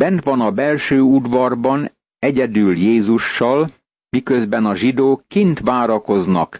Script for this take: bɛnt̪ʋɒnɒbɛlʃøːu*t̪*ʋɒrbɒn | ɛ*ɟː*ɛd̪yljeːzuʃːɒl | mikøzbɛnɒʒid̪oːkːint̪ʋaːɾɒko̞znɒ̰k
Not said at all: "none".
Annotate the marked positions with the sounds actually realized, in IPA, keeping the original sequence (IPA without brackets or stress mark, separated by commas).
d̪, ɟ